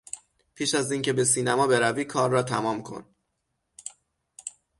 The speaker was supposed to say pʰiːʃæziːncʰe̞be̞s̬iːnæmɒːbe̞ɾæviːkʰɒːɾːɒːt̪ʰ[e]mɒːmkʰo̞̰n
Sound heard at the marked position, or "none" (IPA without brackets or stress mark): æ